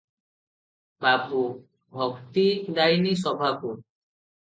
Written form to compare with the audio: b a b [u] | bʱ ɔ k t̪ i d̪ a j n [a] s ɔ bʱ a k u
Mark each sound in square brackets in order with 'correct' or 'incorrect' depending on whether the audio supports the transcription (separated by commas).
correct, incorrect